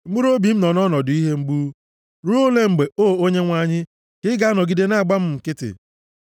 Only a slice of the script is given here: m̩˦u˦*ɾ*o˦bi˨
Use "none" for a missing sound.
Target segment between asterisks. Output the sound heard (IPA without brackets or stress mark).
ɾ